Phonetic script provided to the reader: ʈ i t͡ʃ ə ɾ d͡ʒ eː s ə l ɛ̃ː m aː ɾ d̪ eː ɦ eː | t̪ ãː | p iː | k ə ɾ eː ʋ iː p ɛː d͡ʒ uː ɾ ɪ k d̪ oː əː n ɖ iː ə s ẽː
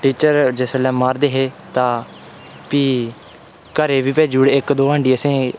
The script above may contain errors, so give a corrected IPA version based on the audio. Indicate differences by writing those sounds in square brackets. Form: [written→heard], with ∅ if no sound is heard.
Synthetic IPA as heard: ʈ [i→iː] t͡ʃ ə ɾ d͡ʒ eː s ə l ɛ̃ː m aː ɾ d̪ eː ɦ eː | t̪ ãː | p iː | k ə ɾ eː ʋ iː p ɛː d͡ʒ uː [ɾ→ɽ] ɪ k d̪ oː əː [n→ɳ] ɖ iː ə s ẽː